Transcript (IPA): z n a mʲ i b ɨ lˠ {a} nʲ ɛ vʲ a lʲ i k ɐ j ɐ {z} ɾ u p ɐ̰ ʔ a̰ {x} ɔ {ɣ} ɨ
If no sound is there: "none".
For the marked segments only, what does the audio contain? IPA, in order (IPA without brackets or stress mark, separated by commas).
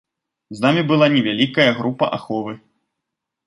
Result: a, ɣ, x, v